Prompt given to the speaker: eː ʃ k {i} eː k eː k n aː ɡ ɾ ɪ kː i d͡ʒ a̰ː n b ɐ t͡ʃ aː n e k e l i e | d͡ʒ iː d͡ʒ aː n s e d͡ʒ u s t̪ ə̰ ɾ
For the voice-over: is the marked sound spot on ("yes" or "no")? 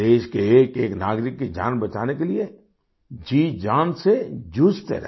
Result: no